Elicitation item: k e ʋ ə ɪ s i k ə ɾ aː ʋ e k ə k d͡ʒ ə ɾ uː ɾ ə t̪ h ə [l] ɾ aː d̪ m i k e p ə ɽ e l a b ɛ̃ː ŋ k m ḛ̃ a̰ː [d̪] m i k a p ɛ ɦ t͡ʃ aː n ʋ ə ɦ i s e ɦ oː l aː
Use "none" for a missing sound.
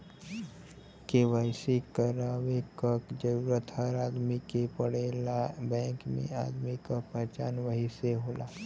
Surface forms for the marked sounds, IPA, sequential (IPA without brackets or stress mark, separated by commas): none, d̪